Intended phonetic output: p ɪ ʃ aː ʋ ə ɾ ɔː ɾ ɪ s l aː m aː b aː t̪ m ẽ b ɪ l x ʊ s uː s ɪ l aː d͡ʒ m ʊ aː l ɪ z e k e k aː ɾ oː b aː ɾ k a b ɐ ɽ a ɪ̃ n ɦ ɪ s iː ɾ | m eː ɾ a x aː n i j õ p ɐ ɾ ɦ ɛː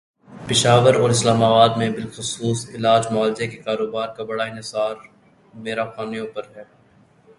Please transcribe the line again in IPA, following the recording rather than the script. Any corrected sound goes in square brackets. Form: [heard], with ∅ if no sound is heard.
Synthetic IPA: p ɪ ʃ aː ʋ ə ɾ ɔː ɾ ɪ s l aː m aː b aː [d̪] m ẽ b ɪ l x ʊ s uː s ɪ l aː d͡ʒ m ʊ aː l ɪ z e k e k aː ɾ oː b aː ɾ k a b ɐ ɽ a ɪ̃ n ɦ ɪ s [aː] ɾ | m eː ɾ a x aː n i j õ p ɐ ɾ ɦ ɛː